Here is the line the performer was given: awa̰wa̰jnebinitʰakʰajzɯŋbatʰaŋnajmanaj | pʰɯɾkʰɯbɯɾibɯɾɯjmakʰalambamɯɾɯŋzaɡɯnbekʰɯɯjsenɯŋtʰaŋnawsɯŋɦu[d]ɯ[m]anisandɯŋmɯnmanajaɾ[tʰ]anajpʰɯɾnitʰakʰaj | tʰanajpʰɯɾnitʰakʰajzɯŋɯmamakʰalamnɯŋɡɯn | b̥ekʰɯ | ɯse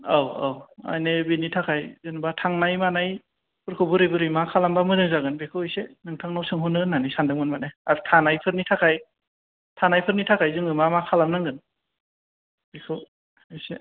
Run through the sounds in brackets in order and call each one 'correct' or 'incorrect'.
incorrect: n, incorrect: n, correct

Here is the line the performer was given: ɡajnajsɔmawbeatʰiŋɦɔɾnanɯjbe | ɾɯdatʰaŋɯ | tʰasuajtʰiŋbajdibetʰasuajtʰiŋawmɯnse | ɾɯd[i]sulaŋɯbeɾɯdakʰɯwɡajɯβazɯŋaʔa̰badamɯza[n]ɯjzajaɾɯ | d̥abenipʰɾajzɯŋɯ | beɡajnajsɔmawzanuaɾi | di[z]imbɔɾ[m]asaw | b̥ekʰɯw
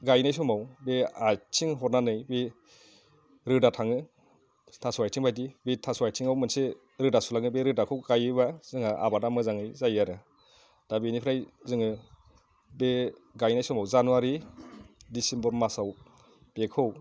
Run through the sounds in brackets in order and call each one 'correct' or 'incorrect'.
incorrect: a, incorrect: ŋ, incorrect: s, correct

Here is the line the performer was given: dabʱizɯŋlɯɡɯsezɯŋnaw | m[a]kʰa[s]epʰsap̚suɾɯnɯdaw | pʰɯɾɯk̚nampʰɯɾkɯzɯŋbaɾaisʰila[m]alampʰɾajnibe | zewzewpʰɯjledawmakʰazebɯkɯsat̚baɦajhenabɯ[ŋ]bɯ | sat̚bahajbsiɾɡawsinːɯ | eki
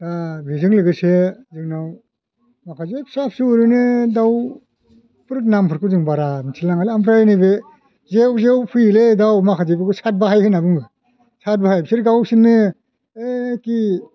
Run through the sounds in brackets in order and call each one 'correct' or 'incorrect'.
correct, incorrect: z, incorrect: ŋ, correct

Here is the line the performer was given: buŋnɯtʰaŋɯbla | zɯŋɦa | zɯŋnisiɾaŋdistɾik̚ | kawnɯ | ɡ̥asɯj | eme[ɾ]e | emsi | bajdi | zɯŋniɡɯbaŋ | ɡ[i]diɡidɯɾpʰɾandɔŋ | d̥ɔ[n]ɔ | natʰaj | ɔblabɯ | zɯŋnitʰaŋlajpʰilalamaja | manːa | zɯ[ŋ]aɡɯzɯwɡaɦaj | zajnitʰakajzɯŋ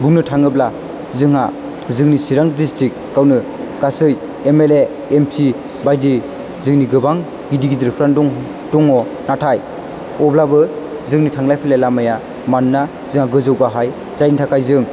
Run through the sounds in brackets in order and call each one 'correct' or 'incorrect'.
incorrect: l, correct, incorrect: ŋ, correct

